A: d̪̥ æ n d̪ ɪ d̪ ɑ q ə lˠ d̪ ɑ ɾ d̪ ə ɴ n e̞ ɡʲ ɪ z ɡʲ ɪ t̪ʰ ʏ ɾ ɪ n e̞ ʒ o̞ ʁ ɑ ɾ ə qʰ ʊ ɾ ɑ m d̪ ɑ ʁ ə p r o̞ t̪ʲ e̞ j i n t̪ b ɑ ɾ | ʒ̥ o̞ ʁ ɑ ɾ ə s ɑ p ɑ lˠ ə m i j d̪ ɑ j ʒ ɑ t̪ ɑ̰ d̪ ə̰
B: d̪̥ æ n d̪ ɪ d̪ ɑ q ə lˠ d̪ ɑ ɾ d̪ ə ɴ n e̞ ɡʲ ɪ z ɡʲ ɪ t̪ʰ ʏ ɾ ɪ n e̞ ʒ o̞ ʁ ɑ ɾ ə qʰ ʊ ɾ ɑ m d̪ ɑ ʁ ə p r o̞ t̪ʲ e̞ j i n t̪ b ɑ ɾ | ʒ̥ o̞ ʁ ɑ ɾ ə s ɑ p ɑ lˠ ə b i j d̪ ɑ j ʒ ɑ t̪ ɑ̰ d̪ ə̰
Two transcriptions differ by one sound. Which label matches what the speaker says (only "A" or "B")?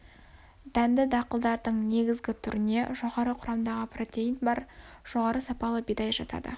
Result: B